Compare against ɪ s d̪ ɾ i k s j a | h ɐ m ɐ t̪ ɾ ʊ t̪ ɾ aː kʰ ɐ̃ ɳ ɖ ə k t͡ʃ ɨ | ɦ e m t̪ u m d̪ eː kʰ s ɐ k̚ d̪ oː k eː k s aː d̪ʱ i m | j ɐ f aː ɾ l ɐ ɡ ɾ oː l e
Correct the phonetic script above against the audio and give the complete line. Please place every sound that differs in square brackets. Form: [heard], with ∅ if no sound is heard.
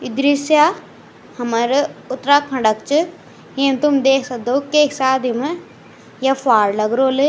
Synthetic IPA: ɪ [∅] d̪ ɾ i [∅] s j a | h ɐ m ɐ [∅] ɾ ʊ t̪ ɾ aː kʰ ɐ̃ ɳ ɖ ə k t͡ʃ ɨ | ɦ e m t̪ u m d̪ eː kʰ s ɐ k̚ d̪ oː k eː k s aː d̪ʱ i m | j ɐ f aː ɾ l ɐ ɡ ɾ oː l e